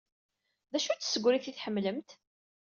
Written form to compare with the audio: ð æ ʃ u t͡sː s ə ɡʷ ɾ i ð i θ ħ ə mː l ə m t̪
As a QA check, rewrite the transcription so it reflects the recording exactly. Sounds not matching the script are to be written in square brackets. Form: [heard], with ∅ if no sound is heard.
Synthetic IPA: ð æ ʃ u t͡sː s ə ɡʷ ɾ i [θ] i θ ħ ə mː l ə m t̪